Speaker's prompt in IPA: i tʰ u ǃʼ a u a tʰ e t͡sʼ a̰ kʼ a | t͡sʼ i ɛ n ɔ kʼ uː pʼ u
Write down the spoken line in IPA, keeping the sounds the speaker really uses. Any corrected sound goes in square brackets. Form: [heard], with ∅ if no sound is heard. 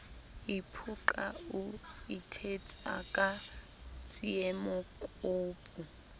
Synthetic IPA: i [pʰ] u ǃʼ a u [i] tʰ e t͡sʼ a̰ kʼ a | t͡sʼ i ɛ [m] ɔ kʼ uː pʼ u